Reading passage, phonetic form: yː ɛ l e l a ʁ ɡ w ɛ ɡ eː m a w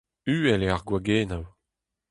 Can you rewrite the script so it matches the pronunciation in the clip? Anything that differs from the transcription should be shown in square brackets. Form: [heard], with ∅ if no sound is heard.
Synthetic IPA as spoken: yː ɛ l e [∅] a ʁ ɡ w [a] ɡ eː [n] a w